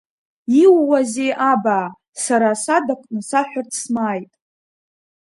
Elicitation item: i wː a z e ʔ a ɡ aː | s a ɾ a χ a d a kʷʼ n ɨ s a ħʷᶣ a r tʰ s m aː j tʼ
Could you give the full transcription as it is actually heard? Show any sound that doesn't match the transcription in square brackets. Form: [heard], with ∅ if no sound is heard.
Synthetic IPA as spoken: i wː a z e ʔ a [b] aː | s a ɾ a [s] a d a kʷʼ n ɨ s a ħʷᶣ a r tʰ s m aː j tʼ